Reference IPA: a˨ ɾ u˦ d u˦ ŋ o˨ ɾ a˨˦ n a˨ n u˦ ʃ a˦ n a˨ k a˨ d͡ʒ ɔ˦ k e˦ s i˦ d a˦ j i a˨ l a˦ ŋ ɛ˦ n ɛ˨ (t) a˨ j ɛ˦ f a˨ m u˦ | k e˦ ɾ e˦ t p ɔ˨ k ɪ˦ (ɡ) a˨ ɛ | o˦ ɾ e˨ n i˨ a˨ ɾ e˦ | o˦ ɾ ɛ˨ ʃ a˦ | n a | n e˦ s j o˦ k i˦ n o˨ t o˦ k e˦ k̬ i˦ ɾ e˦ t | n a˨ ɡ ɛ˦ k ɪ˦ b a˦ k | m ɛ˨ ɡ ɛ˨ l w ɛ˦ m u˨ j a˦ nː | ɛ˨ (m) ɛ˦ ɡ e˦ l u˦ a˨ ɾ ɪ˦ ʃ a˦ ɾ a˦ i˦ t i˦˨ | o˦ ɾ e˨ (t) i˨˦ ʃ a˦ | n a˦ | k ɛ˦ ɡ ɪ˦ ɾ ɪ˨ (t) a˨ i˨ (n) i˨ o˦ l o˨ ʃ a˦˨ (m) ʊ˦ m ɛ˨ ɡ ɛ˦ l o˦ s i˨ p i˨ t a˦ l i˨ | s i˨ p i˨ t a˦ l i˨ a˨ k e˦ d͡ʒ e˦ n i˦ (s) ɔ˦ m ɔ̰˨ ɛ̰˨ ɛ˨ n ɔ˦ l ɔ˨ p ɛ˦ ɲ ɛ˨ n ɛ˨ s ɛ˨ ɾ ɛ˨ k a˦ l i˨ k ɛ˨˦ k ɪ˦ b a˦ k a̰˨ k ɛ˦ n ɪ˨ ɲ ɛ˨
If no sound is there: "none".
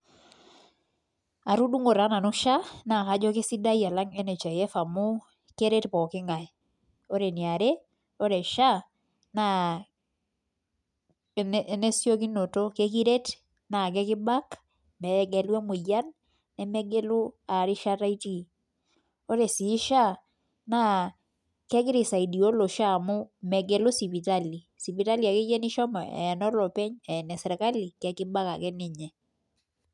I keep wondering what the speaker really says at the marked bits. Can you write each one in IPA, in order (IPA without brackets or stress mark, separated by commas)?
t͡ʃ, ŋ, m, s, s, d, m, ʃ